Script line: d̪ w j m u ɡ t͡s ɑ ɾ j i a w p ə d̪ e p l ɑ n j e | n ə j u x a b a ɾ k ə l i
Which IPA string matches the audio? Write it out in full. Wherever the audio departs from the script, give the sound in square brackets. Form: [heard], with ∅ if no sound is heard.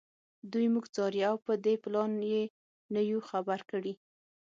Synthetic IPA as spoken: d̪ [u] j m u ɡ t͡s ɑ ɾ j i a w p ə d̪ e p l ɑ n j e | n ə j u x a b a ɾ k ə [ɽ] i